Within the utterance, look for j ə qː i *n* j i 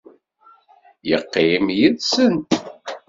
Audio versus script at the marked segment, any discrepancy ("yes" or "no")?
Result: yes